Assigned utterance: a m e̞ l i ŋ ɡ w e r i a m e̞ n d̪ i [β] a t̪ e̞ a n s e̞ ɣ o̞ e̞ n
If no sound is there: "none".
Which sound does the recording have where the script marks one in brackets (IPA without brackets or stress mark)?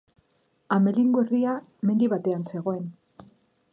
β